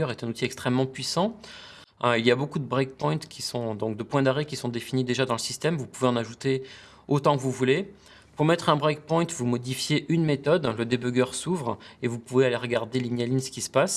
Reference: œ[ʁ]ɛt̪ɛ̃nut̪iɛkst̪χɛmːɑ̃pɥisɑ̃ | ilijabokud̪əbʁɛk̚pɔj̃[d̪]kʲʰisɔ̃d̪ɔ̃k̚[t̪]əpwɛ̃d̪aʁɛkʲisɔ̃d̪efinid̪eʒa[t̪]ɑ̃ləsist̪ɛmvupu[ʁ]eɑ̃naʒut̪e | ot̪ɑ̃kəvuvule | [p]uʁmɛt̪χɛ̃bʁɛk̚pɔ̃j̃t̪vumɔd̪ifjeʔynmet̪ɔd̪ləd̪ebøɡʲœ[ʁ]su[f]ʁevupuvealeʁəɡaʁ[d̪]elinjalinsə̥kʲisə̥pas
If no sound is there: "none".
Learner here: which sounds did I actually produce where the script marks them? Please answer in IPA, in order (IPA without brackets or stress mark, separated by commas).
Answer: ʁ, t̪, d̪, d̪, v, p, ʁ, v, d̪